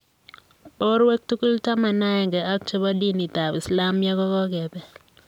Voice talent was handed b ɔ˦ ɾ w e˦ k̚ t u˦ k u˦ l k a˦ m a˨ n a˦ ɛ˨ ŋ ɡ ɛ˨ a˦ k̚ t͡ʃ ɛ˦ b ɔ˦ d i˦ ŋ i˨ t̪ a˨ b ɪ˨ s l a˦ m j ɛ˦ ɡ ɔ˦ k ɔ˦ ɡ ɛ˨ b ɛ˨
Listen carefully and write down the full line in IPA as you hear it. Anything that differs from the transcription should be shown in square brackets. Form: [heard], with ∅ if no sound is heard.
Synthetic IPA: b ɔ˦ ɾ w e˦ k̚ t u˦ k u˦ l [t] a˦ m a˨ n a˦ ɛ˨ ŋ ɡ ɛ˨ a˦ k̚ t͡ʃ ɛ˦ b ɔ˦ d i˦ [n] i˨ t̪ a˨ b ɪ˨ s l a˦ m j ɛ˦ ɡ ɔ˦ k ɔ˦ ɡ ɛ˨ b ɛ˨